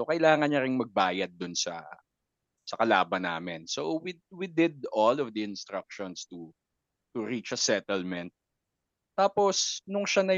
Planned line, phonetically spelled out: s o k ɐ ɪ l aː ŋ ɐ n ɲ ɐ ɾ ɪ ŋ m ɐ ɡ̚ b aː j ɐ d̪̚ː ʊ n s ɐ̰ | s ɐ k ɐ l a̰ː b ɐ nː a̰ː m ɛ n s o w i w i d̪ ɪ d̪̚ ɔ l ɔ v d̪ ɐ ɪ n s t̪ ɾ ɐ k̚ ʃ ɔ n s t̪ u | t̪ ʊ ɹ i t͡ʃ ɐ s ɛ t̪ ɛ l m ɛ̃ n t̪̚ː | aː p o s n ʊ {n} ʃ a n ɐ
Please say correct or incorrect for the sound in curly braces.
incorrect